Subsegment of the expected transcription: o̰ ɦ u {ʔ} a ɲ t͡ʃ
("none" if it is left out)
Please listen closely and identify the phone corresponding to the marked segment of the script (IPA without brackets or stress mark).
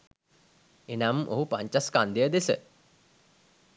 p